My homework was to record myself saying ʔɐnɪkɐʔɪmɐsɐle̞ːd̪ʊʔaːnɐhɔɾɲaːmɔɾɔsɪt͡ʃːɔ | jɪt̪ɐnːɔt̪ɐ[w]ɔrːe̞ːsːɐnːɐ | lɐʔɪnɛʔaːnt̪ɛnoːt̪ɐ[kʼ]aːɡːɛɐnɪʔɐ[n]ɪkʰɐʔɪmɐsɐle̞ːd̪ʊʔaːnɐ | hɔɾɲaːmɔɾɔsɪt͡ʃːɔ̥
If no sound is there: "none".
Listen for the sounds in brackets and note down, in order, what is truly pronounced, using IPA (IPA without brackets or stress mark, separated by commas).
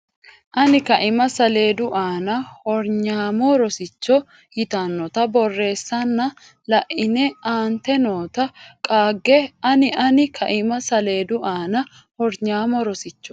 b, kʼ, n